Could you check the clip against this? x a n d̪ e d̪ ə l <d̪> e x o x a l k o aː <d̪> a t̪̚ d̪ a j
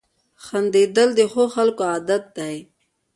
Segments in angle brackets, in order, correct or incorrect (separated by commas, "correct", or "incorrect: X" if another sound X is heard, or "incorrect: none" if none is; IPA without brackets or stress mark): correct, correct